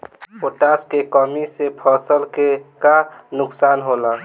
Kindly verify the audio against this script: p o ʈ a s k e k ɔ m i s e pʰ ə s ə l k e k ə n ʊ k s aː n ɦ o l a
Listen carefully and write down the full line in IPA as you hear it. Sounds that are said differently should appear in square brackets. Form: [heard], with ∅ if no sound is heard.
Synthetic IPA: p o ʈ a s k e k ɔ m i s e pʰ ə s ə l k e k [a] n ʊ k s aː n ɦ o l a

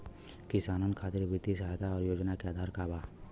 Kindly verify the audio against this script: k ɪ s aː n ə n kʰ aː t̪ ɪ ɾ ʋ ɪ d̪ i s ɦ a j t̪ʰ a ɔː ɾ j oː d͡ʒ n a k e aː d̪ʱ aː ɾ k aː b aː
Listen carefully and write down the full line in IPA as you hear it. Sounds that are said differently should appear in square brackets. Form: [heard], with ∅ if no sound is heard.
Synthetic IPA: k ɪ s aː n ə n kʰ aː t̪ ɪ ɾ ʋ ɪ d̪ i s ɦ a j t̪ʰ a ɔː ɾ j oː d͡ʒ n a k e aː d̪ʱ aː ɾ k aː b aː

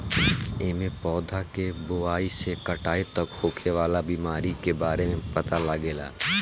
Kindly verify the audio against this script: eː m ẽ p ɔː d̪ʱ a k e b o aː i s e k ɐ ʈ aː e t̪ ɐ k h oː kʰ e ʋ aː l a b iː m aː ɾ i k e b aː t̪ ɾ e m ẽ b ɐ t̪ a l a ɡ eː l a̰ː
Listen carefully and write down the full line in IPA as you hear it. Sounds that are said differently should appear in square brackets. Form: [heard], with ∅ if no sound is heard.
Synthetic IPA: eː m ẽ p ɔː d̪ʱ a k e b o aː i s e k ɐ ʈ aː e t̪ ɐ k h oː kʰ e ʋ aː l a b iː m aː ɾ i k e b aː [∅] ɾ e m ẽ [p] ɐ t̪ a l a ɡ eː l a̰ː

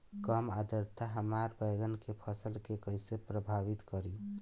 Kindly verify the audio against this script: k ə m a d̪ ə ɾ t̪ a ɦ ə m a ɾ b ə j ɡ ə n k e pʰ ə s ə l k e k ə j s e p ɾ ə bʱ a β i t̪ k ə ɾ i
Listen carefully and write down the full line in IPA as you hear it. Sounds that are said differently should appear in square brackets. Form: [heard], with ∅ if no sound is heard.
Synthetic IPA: k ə m a d̪ ə ɾ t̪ a ɦ ə m a ɾ b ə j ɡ ə n k e pʰ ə s ə l k e k ə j s e p ɾ ə bʱ a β i t̪ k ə ɾ i

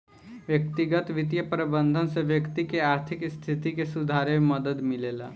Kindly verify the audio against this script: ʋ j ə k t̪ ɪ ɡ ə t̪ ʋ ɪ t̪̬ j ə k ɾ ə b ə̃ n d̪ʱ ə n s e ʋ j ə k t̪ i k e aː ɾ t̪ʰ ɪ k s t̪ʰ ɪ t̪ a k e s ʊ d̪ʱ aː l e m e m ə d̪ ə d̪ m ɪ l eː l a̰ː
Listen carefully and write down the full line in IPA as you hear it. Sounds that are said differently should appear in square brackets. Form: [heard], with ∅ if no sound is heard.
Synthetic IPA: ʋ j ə k t̪ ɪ ɡ ə t̪ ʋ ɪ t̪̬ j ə [p] ɾ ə b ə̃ n d̪ʱ ə n s e ʋ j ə k t̪ i k e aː ɾ t̪ʰ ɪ k s t̪ʰ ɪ t̪ [i] k e s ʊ d̪ʱ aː [ɾ] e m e m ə d̪ ə d̪ m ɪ l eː l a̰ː

